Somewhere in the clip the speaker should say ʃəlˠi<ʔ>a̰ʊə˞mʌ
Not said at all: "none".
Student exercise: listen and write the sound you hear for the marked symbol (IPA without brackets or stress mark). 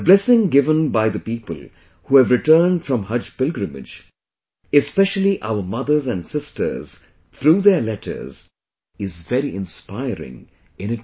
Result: ʔ